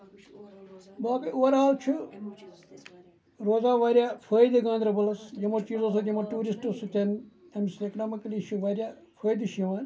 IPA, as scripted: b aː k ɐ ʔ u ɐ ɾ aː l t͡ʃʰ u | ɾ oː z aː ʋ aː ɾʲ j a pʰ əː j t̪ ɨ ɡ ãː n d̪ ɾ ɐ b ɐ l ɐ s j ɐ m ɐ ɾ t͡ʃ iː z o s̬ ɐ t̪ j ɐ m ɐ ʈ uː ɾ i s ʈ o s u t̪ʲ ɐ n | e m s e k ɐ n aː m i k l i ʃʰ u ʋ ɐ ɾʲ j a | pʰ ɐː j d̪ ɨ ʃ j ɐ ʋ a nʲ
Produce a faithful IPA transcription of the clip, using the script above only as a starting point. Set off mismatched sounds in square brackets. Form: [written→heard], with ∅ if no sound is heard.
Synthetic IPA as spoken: b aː k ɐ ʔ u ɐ ɾ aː l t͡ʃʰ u | ɾ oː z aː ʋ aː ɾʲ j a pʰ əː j [t̪→d̪] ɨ ɡ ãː n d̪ ɾ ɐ b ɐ l ɐ s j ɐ m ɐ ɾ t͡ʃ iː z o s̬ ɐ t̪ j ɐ m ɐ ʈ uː ɾ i s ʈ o s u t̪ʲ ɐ n | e m s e k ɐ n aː m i k l i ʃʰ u ʋ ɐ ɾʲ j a | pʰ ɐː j d̪ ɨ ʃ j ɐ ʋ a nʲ